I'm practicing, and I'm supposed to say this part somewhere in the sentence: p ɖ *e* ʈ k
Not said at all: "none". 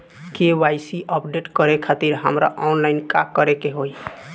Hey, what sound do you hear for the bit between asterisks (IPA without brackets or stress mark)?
e